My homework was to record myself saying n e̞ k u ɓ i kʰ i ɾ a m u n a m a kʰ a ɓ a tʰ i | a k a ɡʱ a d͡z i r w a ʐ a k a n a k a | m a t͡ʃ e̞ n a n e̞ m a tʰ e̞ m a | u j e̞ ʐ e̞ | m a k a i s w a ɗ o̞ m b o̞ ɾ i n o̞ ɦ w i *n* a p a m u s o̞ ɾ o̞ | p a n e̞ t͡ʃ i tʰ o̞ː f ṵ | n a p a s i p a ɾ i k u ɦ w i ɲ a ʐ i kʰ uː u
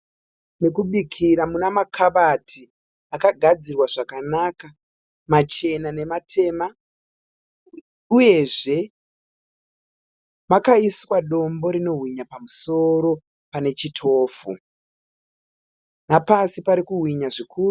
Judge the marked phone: incorrect: ɲ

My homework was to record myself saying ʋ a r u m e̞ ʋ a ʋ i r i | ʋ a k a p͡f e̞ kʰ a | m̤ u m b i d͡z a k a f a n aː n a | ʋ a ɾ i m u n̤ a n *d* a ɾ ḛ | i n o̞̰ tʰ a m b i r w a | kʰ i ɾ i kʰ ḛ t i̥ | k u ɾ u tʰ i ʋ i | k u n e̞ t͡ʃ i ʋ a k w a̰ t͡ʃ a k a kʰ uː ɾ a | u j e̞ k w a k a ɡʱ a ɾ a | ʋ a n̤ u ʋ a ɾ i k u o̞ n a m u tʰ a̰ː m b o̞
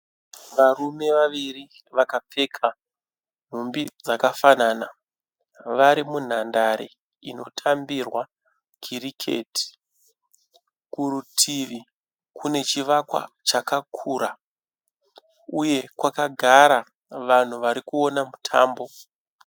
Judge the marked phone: correct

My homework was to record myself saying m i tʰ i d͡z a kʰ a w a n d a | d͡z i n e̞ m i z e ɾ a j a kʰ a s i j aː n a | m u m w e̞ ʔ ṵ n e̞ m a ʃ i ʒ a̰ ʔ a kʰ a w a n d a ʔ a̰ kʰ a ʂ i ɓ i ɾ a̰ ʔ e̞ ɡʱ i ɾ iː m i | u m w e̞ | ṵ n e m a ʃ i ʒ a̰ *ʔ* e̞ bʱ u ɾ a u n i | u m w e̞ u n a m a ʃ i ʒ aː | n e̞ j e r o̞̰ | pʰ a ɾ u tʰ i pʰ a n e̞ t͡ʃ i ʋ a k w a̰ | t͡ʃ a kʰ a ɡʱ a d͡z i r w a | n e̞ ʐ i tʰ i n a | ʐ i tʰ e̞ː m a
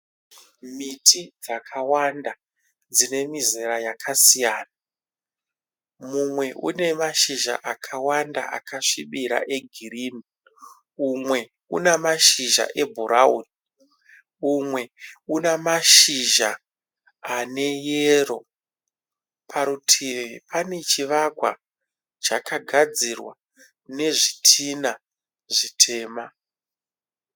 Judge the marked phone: correct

